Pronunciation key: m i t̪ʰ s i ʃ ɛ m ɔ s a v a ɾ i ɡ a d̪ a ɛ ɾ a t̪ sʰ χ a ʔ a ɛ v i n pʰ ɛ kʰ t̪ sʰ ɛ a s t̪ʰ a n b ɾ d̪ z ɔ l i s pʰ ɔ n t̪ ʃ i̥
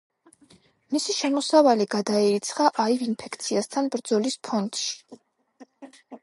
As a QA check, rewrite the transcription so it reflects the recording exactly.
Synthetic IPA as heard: m i s i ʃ ɛ m ɔ s a v a l i ɡ a d̪ a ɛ ɾ i t̪ sʰ χ a ʔ a i v i n pʰ ɛ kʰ t̪ sʰ i a s t̪ʰ a n b ɾ d̪ z ɔ l i s pʰ ɔ n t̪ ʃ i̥